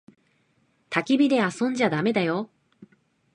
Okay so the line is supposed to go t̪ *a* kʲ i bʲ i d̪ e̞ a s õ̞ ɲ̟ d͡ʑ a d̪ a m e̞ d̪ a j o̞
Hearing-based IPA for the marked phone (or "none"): a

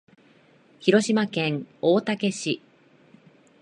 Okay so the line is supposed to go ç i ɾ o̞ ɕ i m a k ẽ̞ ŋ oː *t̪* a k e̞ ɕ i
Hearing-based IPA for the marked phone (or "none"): t̪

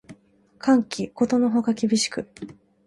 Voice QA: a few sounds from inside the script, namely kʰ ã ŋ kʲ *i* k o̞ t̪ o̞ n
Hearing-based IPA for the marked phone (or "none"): i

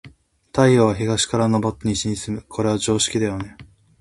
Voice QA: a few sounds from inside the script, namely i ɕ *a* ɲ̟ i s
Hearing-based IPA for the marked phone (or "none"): i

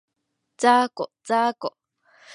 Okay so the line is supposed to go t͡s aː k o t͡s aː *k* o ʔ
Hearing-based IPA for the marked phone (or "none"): k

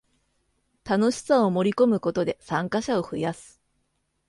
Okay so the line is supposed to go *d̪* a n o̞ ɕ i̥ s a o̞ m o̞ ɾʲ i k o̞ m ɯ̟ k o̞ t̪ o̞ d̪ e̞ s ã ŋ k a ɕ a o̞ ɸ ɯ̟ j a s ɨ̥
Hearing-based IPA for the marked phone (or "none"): t̪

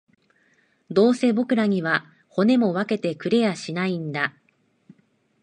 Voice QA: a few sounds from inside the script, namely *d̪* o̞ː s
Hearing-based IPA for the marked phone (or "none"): d̪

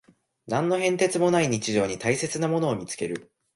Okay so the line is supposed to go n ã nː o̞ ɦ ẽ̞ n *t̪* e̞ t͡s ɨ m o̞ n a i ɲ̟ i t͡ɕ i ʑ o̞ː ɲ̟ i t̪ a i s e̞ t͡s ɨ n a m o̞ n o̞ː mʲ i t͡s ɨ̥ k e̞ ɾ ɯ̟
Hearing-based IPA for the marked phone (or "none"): t̪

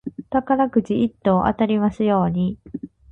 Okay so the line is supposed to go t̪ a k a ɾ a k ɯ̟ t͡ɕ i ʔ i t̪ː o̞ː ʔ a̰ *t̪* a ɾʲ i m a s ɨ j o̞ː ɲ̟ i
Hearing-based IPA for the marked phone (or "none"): t̪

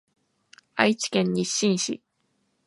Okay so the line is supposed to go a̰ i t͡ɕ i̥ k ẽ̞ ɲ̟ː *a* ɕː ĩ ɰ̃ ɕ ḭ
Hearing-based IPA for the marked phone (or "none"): i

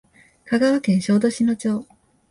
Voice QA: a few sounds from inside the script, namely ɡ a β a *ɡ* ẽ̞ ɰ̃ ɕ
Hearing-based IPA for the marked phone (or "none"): k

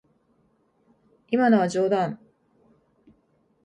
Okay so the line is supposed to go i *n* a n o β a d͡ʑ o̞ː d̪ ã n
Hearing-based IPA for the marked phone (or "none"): m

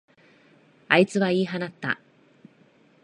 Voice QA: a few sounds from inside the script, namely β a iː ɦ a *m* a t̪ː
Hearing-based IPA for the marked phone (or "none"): n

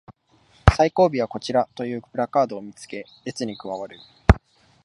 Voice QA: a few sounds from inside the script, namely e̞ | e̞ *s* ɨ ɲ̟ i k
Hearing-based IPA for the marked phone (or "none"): t͡s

